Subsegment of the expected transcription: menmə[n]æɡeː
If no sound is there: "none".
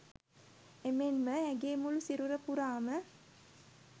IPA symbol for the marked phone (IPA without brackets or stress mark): none